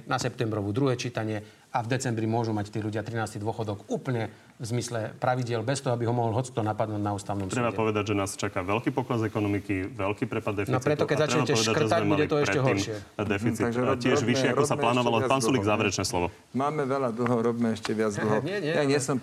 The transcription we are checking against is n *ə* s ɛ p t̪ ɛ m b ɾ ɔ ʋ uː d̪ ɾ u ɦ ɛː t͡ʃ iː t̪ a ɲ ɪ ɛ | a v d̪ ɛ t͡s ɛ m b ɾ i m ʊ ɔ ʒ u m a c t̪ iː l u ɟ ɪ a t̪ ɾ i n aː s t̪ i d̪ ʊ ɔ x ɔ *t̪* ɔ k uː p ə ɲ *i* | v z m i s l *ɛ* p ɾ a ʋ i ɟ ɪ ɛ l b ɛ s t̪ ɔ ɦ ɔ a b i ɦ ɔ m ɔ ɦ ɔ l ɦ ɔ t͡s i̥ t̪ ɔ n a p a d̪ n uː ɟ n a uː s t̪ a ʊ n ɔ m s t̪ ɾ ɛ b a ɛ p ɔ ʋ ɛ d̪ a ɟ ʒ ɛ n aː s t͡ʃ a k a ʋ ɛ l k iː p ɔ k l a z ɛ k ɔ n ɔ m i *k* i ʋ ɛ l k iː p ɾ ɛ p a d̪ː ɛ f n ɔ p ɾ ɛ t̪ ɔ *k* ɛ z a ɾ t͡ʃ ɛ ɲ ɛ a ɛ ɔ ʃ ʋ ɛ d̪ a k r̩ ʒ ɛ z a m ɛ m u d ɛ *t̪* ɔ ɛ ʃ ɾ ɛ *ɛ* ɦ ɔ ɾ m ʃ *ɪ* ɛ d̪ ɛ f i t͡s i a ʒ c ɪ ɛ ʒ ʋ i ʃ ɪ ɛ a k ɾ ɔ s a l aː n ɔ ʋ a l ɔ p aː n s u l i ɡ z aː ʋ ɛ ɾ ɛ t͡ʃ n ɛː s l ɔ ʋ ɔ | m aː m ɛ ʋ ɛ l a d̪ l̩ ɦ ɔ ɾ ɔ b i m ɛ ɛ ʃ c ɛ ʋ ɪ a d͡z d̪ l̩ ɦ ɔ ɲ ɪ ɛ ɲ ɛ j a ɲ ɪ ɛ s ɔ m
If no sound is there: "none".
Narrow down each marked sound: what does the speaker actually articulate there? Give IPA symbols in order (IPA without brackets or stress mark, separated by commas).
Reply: a, d̪, ɛ, ɛ, k, k, t̪, ɛ, ɪ